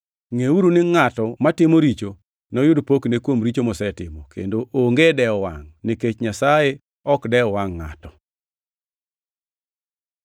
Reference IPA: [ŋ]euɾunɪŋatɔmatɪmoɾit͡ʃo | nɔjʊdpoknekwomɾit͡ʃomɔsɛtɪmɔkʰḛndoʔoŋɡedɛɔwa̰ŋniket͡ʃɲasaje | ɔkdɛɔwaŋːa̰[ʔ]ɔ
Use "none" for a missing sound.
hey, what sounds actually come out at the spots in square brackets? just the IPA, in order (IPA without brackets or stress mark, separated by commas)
ŋ, t